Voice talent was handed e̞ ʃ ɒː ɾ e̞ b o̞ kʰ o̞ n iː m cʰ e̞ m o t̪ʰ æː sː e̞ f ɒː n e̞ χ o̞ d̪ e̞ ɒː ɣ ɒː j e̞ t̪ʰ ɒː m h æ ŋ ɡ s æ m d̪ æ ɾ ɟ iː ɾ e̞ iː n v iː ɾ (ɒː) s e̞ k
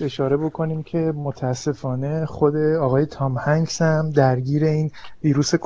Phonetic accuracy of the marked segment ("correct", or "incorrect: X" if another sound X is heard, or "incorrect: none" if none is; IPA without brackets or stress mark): incorrect: uː